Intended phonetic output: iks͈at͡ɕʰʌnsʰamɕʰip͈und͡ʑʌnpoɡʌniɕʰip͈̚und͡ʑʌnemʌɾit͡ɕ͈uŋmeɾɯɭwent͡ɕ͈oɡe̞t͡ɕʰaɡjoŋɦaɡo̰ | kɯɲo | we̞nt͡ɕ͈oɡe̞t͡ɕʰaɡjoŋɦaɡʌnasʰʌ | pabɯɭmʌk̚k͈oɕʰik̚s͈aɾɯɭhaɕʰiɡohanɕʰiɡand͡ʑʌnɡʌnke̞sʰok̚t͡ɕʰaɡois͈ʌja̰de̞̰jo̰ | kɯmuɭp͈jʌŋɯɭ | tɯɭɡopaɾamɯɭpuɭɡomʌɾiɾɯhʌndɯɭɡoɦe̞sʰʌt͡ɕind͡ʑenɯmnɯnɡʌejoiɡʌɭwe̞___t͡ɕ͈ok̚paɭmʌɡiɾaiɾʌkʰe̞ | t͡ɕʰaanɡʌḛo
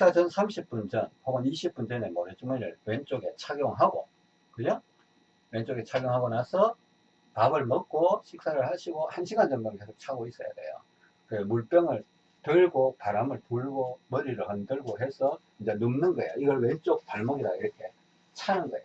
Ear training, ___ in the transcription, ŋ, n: n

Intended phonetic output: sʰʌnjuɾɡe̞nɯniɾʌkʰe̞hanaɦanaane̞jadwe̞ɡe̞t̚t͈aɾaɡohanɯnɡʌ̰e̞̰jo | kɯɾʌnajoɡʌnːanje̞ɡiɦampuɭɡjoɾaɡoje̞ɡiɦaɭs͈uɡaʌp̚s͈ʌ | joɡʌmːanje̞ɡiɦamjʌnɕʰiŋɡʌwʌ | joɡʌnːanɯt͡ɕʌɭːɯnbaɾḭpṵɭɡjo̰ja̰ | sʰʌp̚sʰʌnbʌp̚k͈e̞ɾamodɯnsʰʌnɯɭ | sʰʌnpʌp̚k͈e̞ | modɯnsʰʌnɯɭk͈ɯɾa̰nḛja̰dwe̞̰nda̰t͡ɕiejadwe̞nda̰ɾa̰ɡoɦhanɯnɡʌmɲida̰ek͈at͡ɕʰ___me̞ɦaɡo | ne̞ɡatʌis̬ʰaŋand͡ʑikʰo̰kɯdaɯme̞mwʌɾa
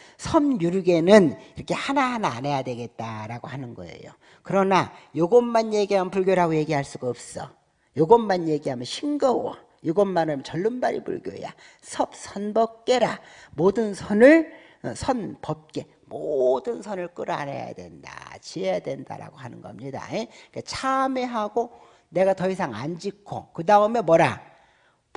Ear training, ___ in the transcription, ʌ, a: a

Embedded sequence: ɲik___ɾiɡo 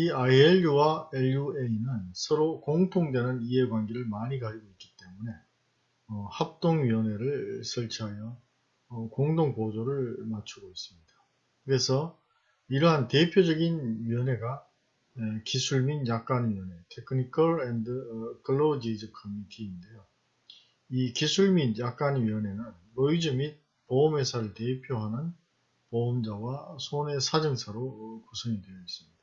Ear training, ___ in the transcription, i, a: a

